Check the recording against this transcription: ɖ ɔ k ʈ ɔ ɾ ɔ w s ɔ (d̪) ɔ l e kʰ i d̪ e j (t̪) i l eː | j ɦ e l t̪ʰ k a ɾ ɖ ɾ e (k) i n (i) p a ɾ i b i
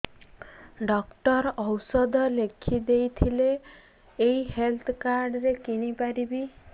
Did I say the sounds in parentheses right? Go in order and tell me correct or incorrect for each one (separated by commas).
correct, incorrect, correct, correct